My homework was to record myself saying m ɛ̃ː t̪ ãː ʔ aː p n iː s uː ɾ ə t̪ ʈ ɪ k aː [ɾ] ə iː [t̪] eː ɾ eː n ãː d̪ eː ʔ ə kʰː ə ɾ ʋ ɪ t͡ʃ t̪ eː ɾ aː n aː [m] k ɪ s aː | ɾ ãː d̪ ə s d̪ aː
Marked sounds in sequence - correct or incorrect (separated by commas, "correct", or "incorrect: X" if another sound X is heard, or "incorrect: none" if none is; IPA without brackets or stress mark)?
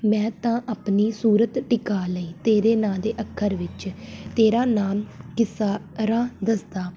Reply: incorrect: l, correct, correct